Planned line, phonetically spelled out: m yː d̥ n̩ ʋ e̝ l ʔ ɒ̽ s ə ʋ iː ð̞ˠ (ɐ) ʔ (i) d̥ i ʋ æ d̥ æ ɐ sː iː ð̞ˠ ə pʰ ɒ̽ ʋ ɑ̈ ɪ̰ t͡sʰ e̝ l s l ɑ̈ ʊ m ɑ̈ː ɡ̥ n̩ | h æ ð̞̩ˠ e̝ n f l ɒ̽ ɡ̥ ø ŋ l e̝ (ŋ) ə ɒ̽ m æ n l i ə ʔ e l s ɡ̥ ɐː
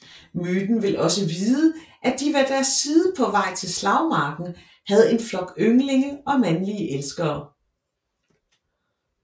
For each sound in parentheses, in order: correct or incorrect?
incorrect: ə, incorrect: æ, correct

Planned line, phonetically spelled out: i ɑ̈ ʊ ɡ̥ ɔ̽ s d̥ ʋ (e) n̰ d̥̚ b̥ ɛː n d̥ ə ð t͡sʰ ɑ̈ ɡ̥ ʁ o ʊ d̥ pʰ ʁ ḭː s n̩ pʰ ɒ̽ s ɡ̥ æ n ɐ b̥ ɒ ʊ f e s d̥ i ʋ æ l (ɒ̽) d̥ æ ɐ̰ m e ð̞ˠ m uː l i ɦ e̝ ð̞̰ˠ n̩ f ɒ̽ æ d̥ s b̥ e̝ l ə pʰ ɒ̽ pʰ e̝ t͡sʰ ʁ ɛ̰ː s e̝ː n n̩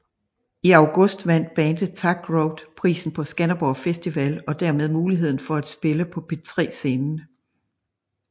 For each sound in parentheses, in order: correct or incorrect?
incorrect: æ, correct

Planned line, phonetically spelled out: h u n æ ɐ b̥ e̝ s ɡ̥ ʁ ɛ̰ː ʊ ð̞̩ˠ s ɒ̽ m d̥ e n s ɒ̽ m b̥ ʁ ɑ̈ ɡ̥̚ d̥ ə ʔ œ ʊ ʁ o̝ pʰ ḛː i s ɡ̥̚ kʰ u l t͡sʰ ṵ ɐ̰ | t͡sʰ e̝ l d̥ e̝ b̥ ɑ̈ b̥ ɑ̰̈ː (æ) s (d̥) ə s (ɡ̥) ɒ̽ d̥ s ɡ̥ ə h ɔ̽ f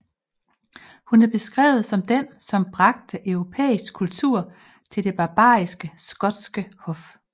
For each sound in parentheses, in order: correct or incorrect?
incorrect: i, incorrect: ɡ̥, correct

